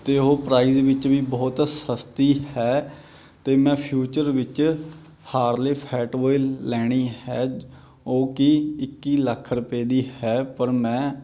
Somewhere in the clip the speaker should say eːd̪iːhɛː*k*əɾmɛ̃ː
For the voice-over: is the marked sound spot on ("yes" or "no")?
no